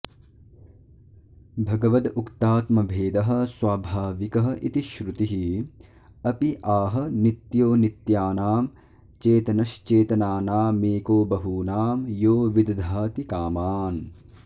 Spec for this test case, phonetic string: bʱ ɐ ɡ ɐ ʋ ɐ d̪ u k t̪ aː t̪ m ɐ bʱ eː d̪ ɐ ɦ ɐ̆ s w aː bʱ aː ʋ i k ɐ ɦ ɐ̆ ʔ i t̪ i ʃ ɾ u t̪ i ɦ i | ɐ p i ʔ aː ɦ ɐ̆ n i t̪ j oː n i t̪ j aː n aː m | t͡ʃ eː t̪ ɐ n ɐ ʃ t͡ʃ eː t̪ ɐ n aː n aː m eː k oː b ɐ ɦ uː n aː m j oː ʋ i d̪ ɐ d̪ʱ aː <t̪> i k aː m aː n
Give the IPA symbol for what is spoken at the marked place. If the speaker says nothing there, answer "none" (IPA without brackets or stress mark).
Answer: t̪